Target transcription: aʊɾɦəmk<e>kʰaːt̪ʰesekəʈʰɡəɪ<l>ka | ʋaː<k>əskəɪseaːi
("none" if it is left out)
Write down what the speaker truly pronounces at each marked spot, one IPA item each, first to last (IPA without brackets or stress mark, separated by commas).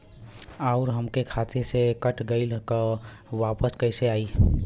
e, l, p